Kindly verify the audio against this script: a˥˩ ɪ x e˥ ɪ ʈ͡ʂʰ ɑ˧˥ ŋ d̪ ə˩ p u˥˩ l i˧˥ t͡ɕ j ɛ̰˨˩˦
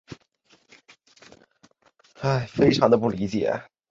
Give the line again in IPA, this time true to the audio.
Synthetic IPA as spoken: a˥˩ ɪ f e˥ ɪ ʈ͡ʂʰ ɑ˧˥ ŋ d̪ ə˧ p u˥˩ l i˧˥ t͡ɕ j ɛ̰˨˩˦